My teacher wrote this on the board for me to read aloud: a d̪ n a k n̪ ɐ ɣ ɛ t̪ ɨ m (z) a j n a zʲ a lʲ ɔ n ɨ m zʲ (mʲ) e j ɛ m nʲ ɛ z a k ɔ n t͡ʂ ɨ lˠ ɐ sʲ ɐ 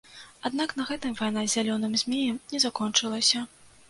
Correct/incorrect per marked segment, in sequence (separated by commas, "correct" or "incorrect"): incorrect, correct